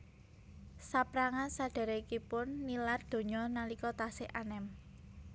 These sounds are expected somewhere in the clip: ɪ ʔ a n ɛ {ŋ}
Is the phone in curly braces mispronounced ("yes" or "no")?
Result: yes